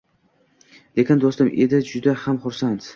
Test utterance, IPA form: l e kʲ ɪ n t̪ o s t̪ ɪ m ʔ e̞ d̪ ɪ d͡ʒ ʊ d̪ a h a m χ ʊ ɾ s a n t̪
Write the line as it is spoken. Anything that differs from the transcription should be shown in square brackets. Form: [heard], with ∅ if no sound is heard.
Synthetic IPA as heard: l e kʲ ɪ n [d̪] o s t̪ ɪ m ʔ e̞ d̪ ɪ d͡ʒ ʊ d̪ a h a m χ ʊ ɾ s a n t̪